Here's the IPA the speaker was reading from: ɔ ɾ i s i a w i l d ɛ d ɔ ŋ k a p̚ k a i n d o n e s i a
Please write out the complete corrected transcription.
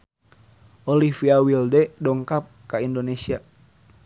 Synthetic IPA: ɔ l i f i a w i l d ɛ d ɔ ŋ k a p̚ k a i n d o n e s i a